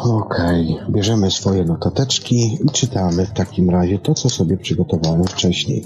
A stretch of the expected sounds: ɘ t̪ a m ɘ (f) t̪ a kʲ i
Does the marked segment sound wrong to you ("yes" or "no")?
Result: no